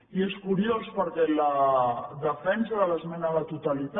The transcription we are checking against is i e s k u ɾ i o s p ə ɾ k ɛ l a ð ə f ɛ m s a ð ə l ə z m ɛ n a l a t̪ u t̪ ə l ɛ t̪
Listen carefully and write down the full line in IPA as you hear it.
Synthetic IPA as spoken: i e s k u ɾ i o s p ə ɾ k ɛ l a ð ə f ɛ n s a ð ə l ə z m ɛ n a l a t̪ u t̪ a l i t̪